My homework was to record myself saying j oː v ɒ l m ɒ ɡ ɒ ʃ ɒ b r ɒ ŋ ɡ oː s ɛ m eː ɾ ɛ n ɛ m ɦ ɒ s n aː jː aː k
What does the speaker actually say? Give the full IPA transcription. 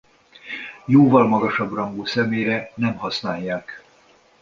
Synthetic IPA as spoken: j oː v ɒ l m ɒ ɡ ɒ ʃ ɒ b r ɒ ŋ ɡ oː s ɛ m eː ɾ ɛ n ɛ m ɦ ɒ s n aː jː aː k